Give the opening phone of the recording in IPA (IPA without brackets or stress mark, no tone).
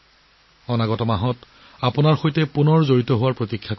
ɔ